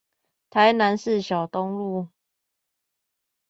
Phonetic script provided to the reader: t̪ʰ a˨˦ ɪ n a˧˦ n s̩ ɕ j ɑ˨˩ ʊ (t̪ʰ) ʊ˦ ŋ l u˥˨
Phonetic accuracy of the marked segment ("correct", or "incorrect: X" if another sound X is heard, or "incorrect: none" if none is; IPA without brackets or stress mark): incorrect: t̪